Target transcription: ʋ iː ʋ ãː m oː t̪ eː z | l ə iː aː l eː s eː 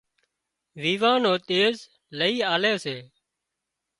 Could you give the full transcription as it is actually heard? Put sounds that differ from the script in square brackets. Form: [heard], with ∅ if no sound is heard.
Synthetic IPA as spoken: ʋ iː ʋ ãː [n] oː t̪ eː z | l ə iː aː l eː s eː